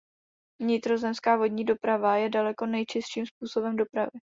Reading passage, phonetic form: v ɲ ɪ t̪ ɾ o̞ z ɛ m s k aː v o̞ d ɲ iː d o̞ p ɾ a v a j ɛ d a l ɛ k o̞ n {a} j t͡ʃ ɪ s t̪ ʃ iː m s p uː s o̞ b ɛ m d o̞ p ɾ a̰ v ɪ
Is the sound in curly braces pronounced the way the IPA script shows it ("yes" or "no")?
no